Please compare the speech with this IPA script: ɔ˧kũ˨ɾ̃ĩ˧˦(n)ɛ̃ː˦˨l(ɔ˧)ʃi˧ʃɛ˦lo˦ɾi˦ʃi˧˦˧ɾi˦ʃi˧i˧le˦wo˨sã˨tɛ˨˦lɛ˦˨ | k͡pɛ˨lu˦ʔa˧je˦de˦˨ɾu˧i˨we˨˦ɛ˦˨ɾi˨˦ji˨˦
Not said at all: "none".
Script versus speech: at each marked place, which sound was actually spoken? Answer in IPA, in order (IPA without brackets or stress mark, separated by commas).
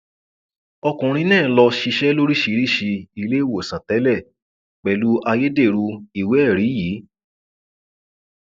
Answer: n, ɔ˧